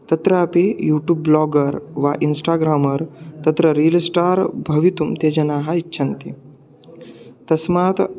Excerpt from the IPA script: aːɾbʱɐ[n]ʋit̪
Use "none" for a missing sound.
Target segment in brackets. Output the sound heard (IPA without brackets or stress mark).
none